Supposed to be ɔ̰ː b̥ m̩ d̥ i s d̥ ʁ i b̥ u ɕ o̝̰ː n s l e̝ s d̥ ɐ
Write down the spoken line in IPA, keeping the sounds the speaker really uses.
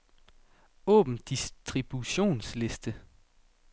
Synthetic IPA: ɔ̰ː b̥ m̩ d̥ i s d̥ ʁ i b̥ u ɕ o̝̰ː n s l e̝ s d̥ ə